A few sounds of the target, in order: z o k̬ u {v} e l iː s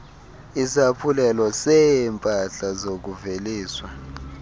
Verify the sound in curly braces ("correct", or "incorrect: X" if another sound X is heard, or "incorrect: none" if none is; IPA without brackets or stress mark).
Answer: correct